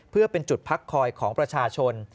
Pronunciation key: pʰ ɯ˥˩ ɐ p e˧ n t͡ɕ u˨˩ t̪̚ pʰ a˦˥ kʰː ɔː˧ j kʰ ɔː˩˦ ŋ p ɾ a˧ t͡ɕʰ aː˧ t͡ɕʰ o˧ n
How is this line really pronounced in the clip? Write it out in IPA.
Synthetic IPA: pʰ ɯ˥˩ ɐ p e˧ n t͡ɕ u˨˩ t̪̚ pʰ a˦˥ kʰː ɔː˧ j kʰ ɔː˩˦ ŋ p ɾ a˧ t͡ɕʰ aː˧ t͡ɕʰ o˧ n